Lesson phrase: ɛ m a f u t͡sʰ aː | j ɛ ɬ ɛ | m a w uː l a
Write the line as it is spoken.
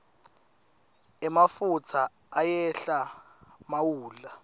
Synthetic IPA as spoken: ɛ m a f u t͡sʰ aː | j ɛ ɬ a | m a w uː l a